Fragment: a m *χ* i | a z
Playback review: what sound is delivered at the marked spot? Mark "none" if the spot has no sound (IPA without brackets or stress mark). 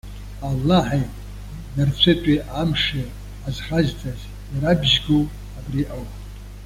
ʂ